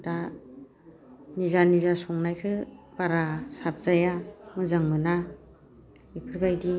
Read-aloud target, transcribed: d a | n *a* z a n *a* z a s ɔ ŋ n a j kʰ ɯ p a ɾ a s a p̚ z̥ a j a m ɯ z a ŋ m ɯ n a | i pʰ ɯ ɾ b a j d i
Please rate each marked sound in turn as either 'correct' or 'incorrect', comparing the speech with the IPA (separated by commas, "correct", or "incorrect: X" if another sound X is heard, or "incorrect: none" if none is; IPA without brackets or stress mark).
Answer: incorrect: i, incorrect: i